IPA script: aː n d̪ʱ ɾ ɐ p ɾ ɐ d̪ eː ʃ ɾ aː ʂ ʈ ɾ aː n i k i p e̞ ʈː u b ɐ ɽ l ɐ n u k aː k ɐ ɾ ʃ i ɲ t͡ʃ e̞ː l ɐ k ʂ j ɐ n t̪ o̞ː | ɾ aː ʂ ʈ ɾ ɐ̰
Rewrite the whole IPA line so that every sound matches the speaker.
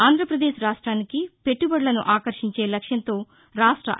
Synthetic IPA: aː n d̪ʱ ɾ ɐ p ɾ ɐ d̪ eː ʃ ɾ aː ʂ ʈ ɾ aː n i k i p e̞ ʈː u b ɐ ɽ l ɐ n u ʔ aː k ɐ ɾ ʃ i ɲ t͡ʃ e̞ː l ɐ k ʂ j ɐ n t̪ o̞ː | ɾ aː ʂ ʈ ɾ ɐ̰